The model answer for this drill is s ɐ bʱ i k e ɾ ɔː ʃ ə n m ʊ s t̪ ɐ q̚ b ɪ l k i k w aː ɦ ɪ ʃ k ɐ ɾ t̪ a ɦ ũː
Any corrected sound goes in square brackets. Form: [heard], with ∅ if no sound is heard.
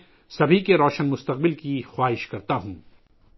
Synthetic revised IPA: s ɐ bʱ i k e ɾ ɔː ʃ ə n m ʊ s t̪ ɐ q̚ b ɪ l k i [x] w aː ɦ ɪ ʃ k ɐ ɾ t̪ a ɦ ũː